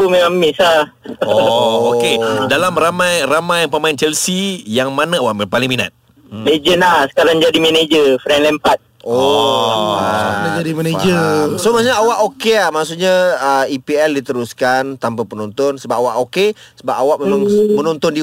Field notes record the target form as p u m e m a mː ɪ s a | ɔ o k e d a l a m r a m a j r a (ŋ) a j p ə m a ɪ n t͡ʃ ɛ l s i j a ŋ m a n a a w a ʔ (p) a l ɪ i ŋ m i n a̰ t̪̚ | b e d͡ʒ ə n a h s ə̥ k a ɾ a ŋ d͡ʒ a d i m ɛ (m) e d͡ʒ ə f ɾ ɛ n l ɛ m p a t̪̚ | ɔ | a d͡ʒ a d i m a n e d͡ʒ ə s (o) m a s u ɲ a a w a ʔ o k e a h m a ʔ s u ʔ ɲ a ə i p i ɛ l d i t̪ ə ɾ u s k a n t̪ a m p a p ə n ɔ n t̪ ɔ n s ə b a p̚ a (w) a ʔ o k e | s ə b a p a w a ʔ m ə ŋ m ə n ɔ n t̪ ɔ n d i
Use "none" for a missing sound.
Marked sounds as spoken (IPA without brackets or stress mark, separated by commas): m, p, n, o, w